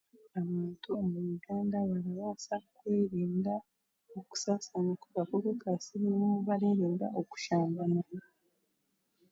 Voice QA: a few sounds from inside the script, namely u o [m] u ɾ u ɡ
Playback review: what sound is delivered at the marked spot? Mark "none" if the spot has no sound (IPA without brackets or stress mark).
m